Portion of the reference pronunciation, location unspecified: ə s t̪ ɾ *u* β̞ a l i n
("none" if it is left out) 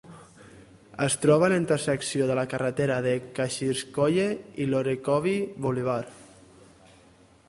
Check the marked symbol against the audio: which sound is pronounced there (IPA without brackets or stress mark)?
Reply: ɔ